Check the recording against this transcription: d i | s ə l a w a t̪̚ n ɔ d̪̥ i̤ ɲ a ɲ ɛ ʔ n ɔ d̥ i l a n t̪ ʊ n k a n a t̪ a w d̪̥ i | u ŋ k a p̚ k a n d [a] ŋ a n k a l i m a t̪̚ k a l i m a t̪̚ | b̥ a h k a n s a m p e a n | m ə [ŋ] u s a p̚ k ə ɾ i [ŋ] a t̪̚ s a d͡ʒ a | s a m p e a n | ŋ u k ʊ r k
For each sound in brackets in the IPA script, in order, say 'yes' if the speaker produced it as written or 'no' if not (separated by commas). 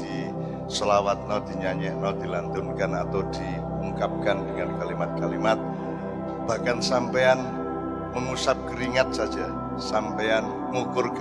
no, yes, yes